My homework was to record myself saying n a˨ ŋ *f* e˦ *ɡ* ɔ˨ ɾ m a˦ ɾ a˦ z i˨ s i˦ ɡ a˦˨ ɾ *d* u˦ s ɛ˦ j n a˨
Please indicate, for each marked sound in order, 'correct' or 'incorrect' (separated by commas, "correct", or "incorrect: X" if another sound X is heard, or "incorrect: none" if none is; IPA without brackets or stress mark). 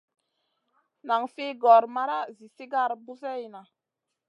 correct, correct, incorrect: b